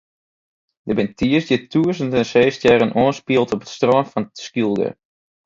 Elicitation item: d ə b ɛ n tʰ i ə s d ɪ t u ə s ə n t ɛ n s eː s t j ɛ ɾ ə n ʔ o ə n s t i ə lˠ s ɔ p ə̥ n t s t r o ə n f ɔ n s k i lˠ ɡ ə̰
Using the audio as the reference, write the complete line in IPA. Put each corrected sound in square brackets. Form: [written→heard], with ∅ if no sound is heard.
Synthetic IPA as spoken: d ə b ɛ n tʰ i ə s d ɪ t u ə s ə n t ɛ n s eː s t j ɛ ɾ ə n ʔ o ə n s [t→p] i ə lˠ [s→t] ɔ p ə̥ [n→∅] t s t r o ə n f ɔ n s k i lˠ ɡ ə̰

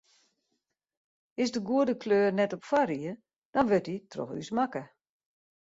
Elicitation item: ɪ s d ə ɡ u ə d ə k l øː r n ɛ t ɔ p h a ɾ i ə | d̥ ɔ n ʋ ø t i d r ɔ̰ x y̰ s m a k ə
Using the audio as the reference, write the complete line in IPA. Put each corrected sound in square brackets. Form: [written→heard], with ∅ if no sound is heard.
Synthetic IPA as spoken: ɪ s d ə ɡ u ə d ə k l øː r n ɛ t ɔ p [h→f] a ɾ i ə | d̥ ɔ n ʋ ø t i [d→t] r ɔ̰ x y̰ s m a k ə

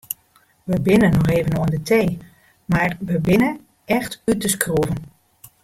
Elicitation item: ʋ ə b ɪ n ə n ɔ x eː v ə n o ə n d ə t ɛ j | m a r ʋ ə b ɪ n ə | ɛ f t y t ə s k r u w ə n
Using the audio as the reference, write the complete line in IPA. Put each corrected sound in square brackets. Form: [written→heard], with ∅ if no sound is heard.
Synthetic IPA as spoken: ʋ ə b ɪ n ə n ɔ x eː v ə n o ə n d ə t [ɛ→e] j | m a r ʋ ə b ɪ n ə | ɛ [f→x] t y t ə s k r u [w→v] ə n

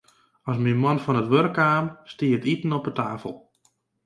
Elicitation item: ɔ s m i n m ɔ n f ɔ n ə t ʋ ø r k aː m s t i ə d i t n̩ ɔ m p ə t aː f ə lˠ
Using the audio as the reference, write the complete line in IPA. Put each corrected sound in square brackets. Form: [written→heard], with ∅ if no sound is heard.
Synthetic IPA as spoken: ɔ s m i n m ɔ n f ɔ n ə t ʋ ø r k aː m s t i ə [d→t] i t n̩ ɔ [m→∅] p ə t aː f ə lˠ

